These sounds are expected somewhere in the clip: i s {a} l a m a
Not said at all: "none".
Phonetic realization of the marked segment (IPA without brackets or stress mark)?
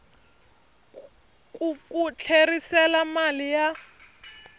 ɛ